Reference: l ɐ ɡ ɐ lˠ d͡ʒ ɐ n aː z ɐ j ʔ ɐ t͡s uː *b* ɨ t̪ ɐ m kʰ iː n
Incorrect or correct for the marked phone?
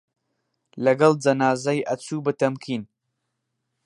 correct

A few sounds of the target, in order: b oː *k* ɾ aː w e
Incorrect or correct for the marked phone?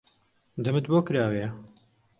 correct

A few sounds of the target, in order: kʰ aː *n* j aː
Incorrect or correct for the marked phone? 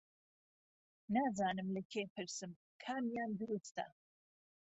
incorrect: m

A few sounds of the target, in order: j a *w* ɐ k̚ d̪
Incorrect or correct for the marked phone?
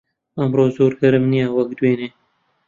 correct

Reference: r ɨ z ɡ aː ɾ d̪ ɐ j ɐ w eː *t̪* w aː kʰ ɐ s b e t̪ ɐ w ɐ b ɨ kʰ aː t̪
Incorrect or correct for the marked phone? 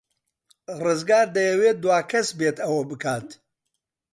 incorrect: d̪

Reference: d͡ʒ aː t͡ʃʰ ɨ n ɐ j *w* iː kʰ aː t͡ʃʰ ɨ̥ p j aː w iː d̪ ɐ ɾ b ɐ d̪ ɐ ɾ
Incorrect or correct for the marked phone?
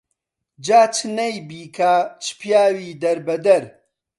incorrect: b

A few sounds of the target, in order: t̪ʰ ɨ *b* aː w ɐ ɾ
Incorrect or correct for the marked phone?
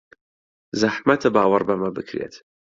correct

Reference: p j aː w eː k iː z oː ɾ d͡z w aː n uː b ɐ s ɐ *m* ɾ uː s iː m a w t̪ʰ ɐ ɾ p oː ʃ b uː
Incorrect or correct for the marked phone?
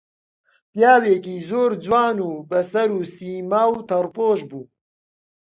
incorrect: none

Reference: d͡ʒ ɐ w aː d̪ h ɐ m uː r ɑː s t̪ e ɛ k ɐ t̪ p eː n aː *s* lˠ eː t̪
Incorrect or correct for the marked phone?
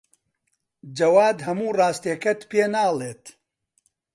incorrect: none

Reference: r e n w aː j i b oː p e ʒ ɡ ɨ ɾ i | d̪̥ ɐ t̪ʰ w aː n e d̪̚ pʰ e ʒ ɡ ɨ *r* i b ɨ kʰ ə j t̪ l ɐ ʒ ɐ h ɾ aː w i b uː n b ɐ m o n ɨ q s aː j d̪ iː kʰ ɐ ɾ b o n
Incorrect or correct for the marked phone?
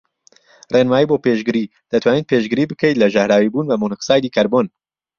incorrect: ɾ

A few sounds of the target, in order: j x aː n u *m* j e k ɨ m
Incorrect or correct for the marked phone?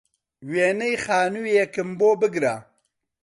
incorrect: none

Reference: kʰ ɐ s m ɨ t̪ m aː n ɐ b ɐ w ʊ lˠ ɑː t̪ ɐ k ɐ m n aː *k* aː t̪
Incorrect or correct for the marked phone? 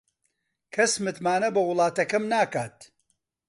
correct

